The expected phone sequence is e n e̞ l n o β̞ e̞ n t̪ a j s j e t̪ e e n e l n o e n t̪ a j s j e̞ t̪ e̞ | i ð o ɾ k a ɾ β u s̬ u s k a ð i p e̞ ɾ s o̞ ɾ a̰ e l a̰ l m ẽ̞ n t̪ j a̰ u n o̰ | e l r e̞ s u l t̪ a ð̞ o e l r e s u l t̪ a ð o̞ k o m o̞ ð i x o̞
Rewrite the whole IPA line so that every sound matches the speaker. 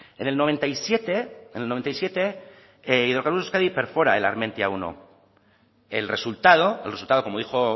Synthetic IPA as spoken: e n e̞ l n o β̞ e̞ n t̪ a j s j e t̪ e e n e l n o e n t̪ a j s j e̞ t̪ e̞ | i ð o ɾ k a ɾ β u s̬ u s k a ð i p e̞ ɾ f o̞ ɾ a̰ e l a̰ ɾ m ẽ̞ n t̪ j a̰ u n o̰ | e l r e̞ s u l t̪ a ð̞ o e l r e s u l t̪ a ð o̞ k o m o̞ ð i x o̞